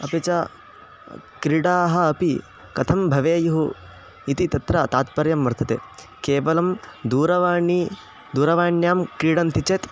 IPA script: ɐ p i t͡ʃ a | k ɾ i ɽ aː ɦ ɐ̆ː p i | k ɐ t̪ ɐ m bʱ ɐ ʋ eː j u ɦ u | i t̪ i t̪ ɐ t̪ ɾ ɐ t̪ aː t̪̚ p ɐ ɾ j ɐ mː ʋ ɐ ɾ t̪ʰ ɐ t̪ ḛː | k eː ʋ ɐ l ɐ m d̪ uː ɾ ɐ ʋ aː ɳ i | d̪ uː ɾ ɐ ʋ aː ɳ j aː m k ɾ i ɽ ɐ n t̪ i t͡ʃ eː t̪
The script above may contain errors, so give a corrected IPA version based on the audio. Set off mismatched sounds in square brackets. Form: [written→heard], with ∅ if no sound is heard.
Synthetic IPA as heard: ɐ p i t͡ʃ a | k ɾ i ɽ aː ɦ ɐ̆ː p i | k ɐ [t̪→t̪ʰ] ɐ m bʱ ɐ ʋ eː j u ɦ u | i t̪ i t̪ ɐ t̪ ɾ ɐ t̪ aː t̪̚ p ɐ ɾ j ɐ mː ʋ ɐ ɾ t̪ʰ ɐ t̪ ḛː | k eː ʋ ɐ l ɐ m d̪ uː ɾ ɐ ʋ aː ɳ i | d̪ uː ɾ ɐ ʋ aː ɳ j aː m k ɾ i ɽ ɐ n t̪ i t͡ʃ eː t̪